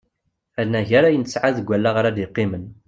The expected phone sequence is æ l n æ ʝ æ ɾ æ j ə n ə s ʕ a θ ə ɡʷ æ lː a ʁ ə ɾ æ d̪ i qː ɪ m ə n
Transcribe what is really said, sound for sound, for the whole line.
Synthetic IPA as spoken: æ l n æ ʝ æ ɾ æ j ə n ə s ʕ a ð ə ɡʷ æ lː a ʁ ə ɾ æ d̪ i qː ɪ m ə n